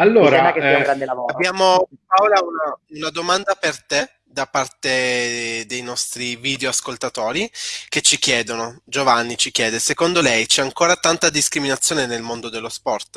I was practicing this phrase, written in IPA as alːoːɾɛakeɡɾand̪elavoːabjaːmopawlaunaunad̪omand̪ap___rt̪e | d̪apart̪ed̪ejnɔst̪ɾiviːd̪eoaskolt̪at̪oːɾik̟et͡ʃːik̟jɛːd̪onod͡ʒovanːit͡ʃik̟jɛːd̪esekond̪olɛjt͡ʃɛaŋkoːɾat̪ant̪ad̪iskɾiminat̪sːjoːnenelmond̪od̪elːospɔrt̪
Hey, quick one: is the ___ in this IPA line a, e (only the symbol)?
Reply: e